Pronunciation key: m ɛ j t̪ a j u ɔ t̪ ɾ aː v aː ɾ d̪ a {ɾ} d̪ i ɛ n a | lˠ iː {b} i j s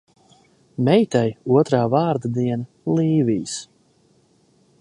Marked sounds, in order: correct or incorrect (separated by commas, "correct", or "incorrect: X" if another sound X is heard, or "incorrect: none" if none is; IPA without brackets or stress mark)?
incorrect: none, incorrect: v